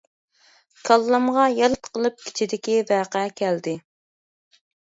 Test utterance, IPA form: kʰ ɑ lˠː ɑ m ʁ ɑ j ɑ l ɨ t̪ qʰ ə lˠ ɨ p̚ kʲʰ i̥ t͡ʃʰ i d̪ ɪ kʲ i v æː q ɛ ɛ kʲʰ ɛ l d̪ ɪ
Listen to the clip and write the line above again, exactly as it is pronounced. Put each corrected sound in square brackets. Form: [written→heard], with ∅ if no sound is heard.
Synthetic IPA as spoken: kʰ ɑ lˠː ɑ m ʁ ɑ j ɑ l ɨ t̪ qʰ ə lˠ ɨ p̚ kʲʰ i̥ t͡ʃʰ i d̪ ɪ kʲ i v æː q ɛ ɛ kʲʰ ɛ l d̪ ɪ